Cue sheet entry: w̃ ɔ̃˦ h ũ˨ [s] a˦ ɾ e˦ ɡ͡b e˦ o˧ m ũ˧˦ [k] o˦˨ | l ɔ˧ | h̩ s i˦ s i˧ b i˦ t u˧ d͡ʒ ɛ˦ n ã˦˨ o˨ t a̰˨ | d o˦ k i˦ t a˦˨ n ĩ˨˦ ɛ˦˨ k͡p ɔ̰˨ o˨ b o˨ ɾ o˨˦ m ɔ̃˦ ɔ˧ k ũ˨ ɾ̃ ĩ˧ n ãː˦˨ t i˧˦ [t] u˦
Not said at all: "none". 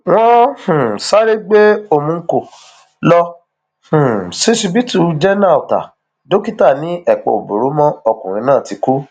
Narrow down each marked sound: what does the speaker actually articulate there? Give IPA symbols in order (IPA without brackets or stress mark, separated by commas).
s, k, k